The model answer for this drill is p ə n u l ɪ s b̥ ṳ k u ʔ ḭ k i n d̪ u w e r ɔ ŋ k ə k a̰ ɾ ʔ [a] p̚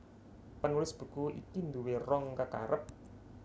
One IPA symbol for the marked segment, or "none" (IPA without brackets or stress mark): ə